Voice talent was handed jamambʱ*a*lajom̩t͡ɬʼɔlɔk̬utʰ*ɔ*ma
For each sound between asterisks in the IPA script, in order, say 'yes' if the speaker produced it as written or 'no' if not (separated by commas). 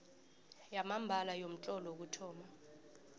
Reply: yes, no